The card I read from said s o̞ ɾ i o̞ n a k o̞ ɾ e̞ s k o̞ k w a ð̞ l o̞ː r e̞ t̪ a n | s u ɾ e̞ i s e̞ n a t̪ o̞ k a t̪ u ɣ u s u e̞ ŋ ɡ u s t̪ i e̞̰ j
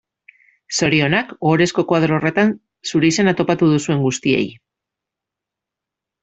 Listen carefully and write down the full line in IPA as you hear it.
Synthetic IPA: s o̞ ɾ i o̞ n a k o̞ ɾ e̞ s k o̞ k w a ð̞ ɾ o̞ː r e̞ t̪ a n | s u ɾ e̞ i s e̞ n a t̪ o̞ p a t̪ u ð u s u e̞ ŋ ɡ u s t̪ i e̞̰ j